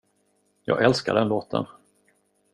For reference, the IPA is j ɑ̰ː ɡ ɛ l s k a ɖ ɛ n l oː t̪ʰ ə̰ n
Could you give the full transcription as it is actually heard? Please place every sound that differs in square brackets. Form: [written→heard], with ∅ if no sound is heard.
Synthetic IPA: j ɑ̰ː ɡ ɛ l s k a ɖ ɛ n l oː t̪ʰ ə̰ n